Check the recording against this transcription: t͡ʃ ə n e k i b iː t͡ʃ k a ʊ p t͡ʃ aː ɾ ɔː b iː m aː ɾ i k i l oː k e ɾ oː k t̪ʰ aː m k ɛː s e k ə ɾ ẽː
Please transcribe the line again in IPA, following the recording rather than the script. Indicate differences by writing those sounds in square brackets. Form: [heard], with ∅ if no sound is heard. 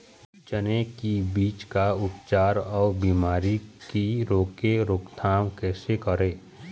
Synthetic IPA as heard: t͡ʃ ə n e k i b iː t͡ʃ k a ʊ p t͡ʃ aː ɾ ɔː b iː m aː ɾ i k i [ɾ] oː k e ɾ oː k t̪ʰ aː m k ɛː s e k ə ɾ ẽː